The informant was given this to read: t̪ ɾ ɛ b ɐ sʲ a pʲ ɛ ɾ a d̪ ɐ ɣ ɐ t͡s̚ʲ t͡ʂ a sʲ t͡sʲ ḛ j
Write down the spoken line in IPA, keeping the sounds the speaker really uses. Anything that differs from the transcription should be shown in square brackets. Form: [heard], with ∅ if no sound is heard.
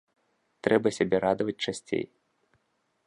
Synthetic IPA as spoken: t̪ ɾ ɛ b ɐ sʲ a [bʲ] ɛ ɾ a d̪ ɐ [v] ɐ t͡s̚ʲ t͡ʂ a sʲ t͡sʲ ḛ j